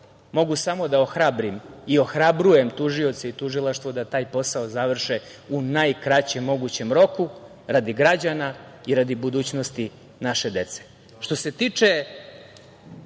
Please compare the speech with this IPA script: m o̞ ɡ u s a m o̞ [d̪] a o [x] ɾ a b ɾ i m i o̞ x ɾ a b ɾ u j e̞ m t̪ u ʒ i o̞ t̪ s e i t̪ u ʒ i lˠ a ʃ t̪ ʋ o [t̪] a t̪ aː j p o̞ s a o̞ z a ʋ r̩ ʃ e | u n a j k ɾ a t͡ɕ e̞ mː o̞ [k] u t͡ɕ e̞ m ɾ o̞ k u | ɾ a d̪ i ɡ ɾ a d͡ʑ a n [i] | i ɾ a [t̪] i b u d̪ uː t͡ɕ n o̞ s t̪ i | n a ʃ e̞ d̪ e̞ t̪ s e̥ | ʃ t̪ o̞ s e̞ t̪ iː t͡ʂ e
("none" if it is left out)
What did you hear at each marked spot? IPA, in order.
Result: d̪, x, d̪, ɡ, a, d̪

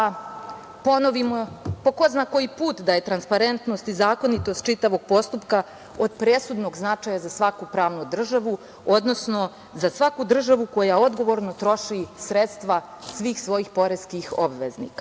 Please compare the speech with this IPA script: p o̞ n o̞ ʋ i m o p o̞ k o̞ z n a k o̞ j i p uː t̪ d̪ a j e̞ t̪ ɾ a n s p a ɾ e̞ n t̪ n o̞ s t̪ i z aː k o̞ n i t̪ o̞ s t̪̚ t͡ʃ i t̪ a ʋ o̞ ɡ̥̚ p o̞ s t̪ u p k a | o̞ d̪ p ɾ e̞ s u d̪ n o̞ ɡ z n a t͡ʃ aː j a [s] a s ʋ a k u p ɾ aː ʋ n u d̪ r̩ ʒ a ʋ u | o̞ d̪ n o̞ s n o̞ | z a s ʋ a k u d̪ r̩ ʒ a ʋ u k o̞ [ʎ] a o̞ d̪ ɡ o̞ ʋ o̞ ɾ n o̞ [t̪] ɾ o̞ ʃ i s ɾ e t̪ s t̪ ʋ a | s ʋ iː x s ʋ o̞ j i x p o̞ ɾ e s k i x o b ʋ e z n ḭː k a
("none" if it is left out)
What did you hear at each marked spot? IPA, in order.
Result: z, j, t̪

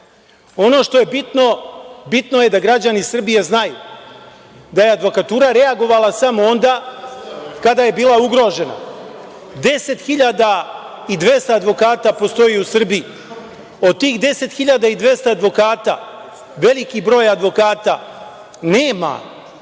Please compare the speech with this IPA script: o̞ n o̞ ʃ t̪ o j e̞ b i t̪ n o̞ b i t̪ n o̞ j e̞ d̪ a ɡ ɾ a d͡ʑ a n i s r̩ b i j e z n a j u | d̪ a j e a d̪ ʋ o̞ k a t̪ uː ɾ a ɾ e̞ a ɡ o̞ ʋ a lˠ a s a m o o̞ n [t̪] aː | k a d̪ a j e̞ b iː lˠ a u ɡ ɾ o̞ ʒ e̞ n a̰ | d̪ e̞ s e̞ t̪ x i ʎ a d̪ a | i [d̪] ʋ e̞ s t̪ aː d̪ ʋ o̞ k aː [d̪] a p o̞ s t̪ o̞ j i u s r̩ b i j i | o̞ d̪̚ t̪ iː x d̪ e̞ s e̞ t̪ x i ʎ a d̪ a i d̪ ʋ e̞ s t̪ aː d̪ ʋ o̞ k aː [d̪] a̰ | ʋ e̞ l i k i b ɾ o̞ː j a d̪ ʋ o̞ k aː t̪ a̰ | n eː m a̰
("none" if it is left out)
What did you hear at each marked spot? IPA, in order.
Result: d̪, d̪, t̪, t̪

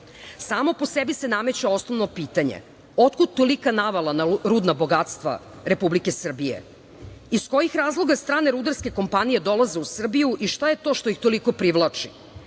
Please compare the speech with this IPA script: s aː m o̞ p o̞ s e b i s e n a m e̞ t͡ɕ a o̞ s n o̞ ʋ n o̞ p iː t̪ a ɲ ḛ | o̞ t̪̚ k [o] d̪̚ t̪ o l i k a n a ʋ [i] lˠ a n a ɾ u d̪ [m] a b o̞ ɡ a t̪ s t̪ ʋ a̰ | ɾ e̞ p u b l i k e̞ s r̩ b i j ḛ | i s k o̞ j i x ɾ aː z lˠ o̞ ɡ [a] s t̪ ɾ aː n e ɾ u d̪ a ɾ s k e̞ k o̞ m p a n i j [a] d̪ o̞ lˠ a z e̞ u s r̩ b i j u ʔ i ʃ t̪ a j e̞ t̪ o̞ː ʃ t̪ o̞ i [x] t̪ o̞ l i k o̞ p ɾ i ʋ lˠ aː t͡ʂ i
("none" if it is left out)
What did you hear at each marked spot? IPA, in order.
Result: u, a, n, a, e, x

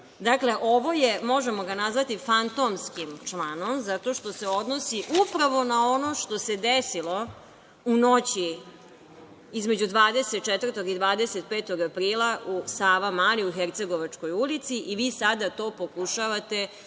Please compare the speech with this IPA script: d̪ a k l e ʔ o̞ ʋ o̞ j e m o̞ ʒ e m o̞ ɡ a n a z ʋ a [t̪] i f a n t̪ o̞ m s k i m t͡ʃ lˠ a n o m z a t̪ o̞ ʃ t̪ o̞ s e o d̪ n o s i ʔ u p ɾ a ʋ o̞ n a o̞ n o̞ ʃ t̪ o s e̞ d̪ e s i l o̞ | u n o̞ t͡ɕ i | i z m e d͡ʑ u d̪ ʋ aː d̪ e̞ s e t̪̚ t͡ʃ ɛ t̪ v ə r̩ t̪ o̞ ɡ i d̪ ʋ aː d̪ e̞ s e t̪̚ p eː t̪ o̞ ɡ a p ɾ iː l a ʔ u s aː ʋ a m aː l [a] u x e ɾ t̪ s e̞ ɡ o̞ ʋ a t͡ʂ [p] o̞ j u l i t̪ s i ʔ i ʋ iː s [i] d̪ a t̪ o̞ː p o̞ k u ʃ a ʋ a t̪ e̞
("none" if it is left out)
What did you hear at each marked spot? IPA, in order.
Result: t̪, i, k, a

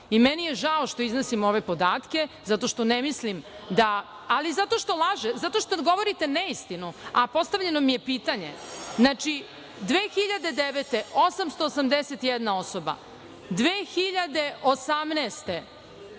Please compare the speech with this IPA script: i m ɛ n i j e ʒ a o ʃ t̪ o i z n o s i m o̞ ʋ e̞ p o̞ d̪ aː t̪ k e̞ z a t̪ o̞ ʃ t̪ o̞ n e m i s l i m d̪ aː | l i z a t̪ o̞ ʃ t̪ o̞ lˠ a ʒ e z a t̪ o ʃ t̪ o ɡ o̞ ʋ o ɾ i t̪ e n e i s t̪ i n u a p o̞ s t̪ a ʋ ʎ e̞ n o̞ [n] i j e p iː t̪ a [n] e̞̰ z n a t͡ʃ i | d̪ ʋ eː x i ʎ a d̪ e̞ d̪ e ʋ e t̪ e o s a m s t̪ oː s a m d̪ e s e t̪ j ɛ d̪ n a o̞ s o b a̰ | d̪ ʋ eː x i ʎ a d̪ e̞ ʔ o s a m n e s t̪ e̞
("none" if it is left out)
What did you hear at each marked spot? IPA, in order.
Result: m, ɲ

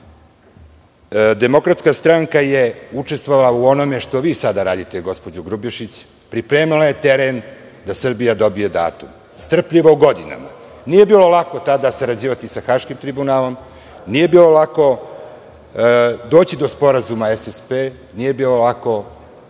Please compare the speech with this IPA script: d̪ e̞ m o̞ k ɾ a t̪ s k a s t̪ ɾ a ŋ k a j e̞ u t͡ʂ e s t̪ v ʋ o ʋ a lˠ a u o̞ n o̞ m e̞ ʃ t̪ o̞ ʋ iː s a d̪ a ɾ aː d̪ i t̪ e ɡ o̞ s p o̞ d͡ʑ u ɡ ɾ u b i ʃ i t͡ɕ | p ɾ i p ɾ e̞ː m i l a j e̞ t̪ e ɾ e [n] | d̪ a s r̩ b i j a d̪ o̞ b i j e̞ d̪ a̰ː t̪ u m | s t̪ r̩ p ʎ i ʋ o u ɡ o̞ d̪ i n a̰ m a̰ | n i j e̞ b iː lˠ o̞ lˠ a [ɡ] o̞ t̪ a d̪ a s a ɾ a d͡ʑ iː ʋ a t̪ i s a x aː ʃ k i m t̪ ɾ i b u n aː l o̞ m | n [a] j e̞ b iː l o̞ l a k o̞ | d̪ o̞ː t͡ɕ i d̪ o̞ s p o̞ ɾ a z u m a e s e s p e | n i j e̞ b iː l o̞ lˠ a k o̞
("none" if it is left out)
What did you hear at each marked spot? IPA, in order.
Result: n, k, i

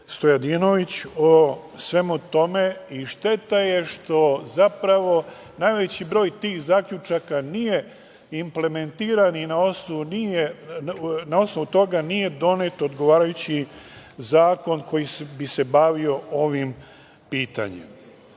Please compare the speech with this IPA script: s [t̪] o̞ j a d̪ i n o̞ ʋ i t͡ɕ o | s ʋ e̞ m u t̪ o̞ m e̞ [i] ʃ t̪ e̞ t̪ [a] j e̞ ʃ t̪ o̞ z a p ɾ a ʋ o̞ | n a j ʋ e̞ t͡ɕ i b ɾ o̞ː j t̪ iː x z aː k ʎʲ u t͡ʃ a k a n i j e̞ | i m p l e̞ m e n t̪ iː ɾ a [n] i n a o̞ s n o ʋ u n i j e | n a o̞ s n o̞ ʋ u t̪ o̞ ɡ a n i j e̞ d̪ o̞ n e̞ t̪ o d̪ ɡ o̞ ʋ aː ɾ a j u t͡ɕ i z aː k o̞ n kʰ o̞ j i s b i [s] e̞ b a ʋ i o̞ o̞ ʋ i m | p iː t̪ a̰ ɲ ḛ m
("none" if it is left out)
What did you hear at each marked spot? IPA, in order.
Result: t̪, i, a, n, s

